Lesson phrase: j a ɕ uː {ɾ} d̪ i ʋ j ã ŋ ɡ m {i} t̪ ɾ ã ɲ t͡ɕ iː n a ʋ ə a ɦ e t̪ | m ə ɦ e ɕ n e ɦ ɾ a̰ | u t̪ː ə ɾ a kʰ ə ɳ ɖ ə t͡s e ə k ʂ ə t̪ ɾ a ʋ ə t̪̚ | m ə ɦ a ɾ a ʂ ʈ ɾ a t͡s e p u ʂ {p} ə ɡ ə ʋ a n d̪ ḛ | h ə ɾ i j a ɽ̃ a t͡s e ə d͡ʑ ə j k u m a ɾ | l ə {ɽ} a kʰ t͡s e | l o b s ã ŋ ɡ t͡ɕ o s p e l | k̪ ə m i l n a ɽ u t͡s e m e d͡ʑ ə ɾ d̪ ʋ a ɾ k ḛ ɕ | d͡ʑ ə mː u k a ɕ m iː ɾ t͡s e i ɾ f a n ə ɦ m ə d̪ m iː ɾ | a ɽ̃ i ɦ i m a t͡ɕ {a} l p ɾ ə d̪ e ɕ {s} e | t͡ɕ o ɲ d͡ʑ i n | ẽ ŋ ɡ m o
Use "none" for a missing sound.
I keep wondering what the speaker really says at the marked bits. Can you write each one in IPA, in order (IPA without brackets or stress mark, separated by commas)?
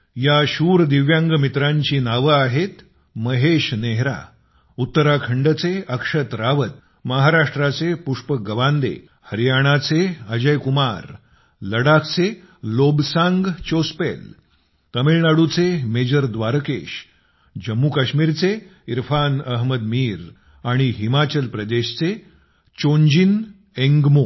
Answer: ɾ, i, p, ɽ, ə, t͡s